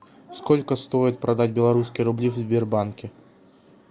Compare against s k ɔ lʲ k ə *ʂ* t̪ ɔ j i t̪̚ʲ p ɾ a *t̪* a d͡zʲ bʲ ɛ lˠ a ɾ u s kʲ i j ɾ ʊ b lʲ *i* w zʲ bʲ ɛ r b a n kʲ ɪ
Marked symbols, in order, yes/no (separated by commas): no, no, yes